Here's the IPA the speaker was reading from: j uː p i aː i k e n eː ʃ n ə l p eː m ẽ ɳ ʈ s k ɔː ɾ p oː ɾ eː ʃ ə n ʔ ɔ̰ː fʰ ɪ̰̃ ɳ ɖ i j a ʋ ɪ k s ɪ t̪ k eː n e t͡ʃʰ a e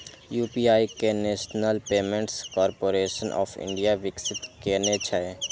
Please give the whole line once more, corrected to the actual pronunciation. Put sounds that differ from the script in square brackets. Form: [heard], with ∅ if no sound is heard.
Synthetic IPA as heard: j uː p i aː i k e n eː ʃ n ə l p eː m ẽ ɳ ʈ s k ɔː ɾ p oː ɾ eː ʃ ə n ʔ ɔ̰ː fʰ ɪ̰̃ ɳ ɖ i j a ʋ ɪ k s ɪ t̪ k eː n e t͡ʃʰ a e